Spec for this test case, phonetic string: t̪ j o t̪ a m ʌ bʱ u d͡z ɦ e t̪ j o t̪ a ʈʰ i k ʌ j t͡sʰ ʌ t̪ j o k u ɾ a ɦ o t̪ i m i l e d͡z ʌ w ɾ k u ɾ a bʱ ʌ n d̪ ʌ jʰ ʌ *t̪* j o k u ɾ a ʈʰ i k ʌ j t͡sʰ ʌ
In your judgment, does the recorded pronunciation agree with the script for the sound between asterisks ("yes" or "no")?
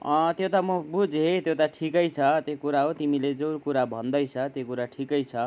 yes